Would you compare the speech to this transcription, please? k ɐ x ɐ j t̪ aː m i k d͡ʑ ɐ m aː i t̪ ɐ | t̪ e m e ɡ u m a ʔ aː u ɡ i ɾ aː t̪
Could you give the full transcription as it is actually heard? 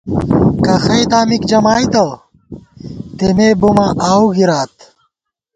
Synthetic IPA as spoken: k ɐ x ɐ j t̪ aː m i k d͡ʑ ɐ m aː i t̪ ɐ | t̪ e m e b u m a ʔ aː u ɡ i ɾ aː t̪